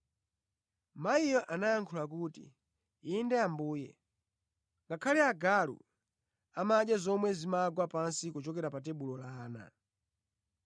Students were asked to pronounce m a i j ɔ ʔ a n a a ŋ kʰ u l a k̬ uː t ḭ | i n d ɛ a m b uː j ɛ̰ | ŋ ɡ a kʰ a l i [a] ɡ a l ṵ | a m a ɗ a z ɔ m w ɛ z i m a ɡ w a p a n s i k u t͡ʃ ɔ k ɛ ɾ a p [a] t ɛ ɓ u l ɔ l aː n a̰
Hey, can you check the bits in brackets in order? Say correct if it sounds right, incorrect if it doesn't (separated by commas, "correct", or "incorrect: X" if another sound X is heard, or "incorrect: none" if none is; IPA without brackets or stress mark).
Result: correct, correct